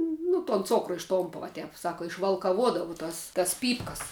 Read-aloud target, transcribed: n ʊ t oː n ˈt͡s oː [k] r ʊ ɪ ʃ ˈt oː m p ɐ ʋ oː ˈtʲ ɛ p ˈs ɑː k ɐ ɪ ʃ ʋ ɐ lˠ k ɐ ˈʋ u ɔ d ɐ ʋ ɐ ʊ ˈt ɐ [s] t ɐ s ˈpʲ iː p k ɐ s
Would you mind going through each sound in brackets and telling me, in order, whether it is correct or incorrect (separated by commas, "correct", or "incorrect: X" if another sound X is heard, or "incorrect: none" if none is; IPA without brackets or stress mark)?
correct, correct